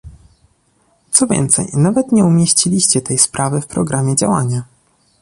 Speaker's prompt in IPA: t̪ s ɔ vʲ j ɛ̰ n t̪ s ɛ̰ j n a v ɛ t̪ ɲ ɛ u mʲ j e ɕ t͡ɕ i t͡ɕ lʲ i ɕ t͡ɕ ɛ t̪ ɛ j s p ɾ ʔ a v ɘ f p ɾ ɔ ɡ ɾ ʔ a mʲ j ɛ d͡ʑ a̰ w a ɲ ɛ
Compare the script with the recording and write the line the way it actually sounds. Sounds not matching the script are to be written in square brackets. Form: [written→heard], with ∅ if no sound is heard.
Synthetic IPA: t̪ s ɔ vʲ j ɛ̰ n t̪ s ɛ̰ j n a v ɛ t̪ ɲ ɛ u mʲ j e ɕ t͡ɕ i [t͡ɕ→∅] lʲ i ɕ t͡ɕ ɛ t̪ ɛ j s p ɾ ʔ a v ɘ f p ɾ ɔ ɡ ɾ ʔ a mʲ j ɛ d͡ʑ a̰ w a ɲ [ɛ→a]